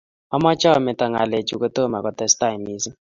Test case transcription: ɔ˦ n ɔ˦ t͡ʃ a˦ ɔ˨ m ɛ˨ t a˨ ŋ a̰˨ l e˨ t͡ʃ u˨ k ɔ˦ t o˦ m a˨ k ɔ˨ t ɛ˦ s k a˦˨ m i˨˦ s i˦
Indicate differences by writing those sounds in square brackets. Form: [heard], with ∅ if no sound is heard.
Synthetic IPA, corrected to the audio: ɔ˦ [m] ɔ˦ t͡ʃ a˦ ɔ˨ m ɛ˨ t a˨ ŋ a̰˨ l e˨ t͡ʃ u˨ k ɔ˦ t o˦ m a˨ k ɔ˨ t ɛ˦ s [t] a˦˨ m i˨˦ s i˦